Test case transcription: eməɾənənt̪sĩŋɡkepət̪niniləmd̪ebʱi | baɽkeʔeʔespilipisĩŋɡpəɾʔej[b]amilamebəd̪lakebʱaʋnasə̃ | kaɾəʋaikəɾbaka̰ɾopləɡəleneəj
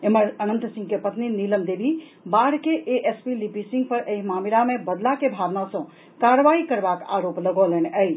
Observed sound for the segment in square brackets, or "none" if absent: m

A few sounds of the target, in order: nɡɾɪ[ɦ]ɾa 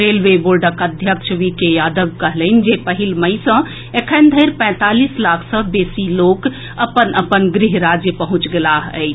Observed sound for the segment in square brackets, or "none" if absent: ɦ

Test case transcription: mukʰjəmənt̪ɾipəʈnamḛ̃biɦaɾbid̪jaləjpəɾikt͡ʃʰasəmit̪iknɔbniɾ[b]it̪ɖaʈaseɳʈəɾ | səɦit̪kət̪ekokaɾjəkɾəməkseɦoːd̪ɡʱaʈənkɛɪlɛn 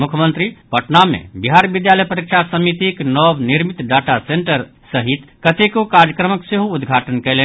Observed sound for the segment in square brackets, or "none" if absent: m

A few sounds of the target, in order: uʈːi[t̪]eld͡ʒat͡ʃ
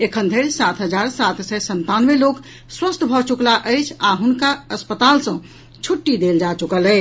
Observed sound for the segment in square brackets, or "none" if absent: d̪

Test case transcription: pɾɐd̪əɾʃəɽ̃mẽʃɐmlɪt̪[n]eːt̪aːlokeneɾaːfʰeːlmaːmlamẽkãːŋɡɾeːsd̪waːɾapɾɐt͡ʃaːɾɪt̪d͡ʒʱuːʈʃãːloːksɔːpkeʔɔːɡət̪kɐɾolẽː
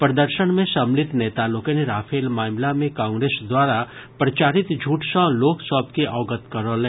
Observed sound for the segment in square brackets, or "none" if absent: n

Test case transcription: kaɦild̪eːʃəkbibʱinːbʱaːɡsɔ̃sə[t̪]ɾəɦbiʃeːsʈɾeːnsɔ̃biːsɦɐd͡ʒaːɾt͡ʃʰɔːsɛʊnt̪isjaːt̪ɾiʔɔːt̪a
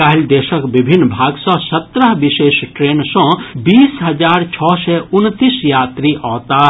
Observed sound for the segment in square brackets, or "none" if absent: t̪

